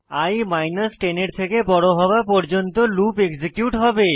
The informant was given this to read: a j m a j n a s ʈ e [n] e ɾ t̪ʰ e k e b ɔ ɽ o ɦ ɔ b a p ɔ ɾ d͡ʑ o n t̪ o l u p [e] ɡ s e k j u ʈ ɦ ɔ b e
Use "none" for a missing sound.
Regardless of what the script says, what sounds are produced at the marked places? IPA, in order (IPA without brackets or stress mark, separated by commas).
n, e